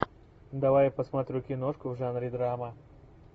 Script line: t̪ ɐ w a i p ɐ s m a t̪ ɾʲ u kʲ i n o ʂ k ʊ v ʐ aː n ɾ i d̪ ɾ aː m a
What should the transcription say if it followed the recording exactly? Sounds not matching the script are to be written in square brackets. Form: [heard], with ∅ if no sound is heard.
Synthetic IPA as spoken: [d̪] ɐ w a [j] p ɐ s m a t̪ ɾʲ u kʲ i n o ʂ k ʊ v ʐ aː n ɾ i d̪ ɾ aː m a

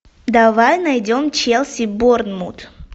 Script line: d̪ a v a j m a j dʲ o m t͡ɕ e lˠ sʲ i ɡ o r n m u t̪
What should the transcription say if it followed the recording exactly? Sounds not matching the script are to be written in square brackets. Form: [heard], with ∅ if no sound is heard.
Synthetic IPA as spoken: d̪ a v a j [n] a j dʲ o m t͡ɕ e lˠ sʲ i [b] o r n m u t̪

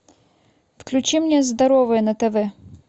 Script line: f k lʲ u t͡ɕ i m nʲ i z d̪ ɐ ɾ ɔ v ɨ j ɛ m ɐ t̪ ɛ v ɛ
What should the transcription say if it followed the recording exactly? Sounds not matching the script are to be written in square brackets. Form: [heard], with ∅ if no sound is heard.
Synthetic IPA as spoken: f k lʲ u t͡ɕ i m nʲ [ɛ] z d̪ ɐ ɾ ɔ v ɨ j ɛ [n] ɐ t̪ ɛ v ɛ

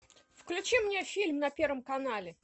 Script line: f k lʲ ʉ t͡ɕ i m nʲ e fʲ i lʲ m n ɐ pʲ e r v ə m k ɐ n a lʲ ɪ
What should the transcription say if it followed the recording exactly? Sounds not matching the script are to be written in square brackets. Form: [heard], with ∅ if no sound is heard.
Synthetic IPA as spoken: f k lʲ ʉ t͡ɕ i m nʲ e fʲ i lʲ m n ɐ pʲ e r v ə m k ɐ n a lʲ ɪ

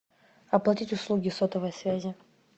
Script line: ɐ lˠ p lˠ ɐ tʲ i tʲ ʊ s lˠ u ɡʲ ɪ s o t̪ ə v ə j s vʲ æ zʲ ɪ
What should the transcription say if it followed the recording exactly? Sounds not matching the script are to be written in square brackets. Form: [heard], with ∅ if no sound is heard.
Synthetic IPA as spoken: ɐ [∅] p lˠ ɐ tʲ i tʲ ʊ s lˠ u ɡʲ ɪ s o t̪ ə v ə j s vʲ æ zʲ ɪ

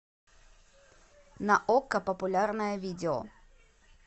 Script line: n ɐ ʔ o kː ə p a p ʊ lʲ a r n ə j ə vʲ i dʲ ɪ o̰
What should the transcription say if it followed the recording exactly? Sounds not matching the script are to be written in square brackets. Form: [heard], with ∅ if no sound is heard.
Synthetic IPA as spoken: n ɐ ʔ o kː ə p [ə] p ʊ lʲ a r n ə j ə vʲ i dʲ ɪ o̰

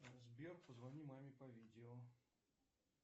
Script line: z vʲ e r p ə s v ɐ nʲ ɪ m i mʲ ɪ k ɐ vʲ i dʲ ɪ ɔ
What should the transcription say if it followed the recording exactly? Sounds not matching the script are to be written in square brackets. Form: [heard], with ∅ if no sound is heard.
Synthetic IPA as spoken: z [bʲ] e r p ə [z] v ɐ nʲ [i] m [a] mʲ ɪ [p] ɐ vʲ i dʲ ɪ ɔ

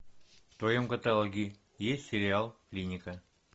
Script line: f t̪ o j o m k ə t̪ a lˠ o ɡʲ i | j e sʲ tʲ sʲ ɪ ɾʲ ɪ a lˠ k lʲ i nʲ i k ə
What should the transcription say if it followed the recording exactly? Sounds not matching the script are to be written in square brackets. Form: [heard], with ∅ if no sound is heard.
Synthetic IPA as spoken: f t̪ o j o m k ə t̪ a lˠ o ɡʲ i | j e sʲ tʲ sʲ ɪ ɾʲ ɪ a lˠ k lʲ i nʲ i k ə

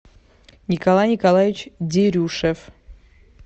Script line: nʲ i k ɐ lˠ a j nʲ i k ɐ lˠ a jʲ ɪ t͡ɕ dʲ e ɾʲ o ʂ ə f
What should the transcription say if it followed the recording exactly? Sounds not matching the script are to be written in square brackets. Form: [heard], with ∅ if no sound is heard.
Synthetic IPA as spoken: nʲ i k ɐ lˠ a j nʲ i k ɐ lˠ a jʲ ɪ t͡ɕ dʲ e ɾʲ [u] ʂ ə f

